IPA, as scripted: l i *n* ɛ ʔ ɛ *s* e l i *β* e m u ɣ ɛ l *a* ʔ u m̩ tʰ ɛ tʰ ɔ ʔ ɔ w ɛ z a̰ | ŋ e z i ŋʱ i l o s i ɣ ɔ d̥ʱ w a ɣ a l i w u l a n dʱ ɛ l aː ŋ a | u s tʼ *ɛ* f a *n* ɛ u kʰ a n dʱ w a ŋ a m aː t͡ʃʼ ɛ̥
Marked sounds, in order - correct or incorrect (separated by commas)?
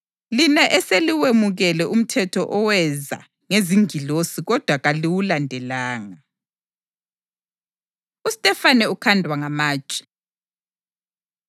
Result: correct, correct, incorrect, incorrect, correct, correct